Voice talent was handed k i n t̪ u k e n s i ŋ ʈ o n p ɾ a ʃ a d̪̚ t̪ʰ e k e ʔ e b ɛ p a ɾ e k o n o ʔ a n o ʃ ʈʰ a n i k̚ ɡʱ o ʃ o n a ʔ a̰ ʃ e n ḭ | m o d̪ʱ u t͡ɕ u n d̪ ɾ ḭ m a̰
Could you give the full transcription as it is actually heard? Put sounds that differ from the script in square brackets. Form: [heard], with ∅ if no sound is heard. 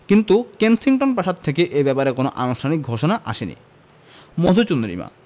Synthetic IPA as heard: k i n t̪ u k e n s i ŋ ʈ o n p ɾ a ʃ a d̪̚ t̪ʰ e k e ʔ e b ɛ p a ɾ e k o n o ʔ a n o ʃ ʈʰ a n i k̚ ɡʱ o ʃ o n a ʔ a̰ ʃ e n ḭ | m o d̪ʱ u t͡ɕ u n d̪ ɾ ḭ m a̰